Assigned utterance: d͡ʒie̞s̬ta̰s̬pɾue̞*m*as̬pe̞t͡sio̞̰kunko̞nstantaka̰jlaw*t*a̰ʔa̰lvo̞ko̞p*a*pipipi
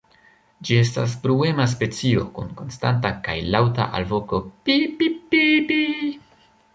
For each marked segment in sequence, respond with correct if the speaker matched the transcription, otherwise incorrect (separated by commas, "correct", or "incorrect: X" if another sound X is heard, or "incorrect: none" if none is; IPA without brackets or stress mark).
correct, correct, incorrect: i